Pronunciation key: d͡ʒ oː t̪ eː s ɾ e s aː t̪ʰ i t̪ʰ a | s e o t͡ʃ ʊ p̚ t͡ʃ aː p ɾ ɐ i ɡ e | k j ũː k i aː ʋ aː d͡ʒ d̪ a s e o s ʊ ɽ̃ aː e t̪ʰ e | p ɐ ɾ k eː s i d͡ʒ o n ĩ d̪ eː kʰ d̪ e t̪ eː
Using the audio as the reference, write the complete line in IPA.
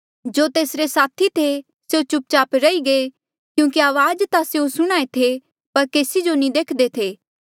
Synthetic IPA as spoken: d͡ʒ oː t̪ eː s ɾ e s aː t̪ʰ i t̪ʰ e | s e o t͡ʃ ʊ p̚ t͡ʃ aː p ɾ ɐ i ɡ e | k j ũː k i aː ʋ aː d͡ʒ t̪ a s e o s ʊ ɽ̃ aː e t̪ʰ e | p ɐ ɾ k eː s i d͡ʒ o n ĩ d̪ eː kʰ d̪ e t̪ʰ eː